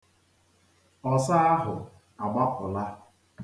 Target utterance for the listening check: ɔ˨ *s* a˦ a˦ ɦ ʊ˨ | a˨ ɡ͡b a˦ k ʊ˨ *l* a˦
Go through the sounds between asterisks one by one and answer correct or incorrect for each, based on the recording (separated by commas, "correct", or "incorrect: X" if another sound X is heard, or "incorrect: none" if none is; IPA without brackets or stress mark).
correct, correct